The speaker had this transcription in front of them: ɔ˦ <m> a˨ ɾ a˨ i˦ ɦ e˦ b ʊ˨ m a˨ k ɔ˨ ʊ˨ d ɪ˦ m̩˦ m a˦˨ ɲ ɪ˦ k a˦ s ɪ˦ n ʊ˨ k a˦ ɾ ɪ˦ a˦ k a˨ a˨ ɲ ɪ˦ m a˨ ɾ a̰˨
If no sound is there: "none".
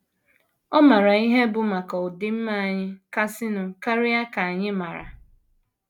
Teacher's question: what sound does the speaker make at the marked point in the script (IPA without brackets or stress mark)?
m